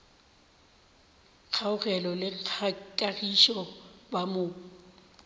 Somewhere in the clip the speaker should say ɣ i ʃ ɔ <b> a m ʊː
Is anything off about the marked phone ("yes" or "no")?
no